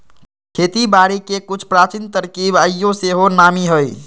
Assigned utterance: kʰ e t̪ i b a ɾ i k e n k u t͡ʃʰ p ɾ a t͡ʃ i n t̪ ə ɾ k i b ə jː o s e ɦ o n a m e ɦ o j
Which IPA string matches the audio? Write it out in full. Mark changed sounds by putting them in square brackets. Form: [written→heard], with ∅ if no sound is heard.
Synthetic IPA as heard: kʰ e t̪ i b a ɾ i k e [n→∅] k u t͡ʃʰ p ɾ a t͡ʃ i n t̪ ə ɾ k i b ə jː o s e ɦ o n a m [e→i] ɦ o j